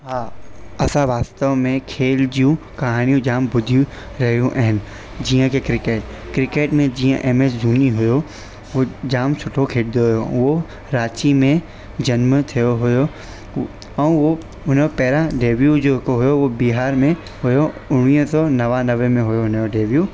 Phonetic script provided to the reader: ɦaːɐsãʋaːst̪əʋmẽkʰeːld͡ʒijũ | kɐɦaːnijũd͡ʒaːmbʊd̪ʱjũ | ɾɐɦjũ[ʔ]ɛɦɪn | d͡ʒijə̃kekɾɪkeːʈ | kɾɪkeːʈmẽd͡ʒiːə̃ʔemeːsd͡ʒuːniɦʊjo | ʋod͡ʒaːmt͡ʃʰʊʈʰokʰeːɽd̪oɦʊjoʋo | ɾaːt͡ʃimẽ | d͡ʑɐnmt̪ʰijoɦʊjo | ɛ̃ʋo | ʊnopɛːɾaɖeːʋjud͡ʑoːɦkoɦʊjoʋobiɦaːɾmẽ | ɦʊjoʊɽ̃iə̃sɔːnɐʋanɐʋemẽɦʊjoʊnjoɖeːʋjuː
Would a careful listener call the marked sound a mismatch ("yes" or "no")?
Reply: no